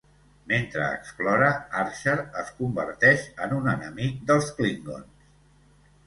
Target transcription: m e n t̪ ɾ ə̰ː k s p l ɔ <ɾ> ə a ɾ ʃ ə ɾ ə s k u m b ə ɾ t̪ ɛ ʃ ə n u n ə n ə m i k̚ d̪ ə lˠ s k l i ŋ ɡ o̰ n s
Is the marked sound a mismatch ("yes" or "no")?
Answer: no